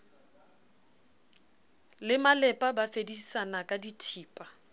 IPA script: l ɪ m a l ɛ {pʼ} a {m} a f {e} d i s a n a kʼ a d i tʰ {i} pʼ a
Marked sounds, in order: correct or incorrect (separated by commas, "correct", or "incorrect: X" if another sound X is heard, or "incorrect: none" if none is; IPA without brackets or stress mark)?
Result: correct, incorrect: b, correct, incorrect: iː